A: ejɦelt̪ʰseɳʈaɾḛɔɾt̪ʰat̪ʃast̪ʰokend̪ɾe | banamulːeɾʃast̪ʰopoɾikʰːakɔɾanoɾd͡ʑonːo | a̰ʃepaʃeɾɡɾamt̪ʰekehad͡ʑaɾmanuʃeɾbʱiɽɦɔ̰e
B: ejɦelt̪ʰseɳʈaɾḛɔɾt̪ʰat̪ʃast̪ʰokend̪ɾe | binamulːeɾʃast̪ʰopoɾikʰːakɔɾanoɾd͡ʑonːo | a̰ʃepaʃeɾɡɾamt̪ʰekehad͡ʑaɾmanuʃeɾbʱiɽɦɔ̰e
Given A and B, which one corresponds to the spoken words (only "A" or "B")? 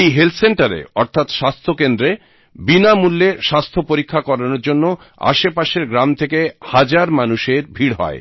B